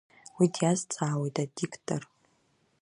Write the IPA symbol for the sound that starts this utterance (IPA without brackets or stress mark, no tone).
w